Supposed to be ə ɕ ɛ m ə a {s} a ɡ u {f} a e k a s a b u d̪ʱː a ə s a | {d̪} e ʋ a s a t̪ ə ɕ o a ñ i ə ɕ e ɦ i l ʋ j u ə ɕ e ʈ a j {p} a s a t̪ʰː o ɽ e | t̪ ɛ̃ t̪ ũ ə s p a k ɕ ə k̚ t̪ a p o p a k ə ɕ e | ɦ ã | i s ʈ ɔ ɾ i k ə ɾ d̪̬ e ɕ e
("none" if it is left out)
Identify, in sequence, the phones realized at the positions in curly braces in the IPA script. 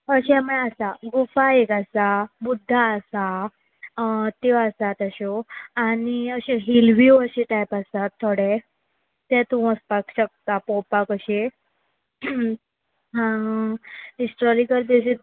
s, f, t̪, p

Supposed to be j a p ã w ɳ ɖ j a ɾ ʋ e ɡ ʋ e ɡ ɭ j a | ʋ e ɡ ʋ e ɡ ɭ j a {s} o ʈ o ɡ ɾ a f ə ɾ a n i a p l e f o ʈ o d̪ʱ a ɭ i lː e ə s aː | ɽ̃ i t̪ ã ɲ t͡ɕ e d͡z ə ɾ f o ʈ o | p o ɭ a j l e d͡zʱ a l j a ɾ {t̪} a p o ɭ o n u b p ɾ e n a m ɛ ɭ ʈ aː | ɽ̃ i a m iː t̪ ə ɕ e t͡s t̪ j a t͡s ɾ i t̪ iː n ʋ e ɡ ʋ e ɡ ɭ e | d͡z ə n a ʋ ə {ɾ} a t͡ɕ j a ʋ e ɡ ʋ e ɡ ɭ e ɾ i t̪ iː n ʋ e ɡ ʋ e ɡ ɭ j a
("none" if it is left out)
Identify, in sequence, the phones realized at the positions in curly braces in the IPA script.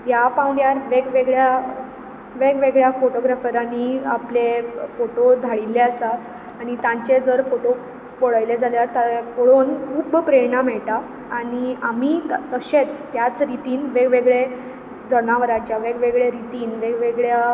f, t̪, ɾ

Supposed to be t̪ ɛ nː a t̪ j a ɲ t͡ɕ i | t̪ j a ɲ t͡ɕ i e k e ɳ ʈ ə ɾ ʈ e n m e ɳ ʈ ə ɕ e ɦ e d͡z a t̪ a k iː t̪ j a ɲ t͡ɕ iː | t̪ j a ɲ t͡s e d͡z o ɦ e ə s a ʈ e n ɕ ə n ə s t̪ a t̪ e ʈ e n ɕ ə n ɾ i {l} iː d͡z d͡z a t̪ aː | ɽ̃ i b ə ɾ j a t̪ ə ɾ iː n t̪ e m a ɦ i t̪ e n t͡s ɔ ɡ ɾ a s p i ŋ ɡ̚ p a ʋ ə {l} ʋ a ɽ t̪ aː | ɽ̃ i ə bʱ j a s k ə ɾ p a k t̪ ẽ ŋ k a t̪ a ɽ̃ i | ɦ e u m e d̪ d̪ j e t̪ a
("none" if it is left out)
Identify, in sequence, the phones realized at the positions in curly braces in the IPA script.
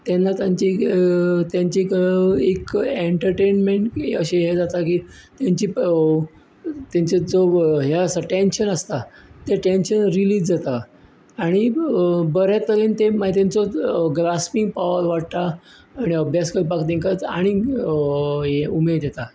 l, ɾ

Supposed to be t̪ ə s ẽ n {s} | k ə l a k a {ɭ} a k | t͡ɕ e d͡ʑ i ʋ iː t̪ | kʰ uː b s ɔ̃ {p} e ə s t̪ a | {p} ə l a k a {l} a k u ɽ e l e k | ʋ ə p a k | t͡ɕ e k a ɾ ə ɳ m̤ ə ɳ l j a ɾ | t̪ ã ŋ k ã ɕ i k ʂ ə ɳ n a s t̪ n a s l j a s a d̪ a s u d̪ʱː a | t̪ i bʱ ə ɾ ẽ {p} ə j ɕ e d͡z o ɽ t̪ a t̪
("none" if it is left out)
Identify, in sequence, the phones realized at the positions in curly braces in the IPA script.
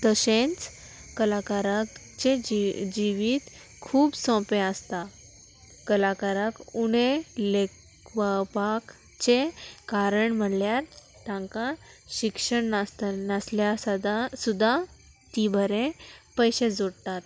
t͡s, ɾ, p, k, ɾ, p

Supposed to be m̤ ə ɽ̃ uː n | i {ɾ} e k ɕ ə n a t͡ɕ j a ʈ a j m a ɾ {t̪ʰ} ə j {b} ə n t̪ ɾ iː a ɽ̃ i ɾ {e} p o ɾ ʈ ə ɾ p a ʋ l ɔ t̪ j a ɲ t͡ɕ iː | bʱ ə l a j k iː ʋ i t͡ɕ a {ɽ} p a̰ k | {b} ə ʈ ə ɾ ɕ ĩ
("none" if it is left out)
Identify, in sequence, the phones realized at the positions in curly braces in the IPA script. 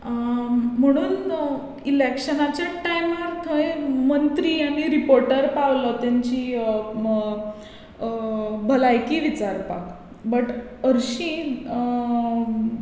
l, t̪ʰ, m, i, ɾ, b

